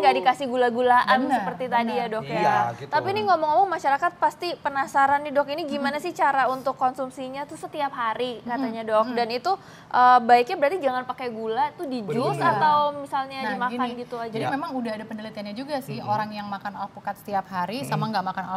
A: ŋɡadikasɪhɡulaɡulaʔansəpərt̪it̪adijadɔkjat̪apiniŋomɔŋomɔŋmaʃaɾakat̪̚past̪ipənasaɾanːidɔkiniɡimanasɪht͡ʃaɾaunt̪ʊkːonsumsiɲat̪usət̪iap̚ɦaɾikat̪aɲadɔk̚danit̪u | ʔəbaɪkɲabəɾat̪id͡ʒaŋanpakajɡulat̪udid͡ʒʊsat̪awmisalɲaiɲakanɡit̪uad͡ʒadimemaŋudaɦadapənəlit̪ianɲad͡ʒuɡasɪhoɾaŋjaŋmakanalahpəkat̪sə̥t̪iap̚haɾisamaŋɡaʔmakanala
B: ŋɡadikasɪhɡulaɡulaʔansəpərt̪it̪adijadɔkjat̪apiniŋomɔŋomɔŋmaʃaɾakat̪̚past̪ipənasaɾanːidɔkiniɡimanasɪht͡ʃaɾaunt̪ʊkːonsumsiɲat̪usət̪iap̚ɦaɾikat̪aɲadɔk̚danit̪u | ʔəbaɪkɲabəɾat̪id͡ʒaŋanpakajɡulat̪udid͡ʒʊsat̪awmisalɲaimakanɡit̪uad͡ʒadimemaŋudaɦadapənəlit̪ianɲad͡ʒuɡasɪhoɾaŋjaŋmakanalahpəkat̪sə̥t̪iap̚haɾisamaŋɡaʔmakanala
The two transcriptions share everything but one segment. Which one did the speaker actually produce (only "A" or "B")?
B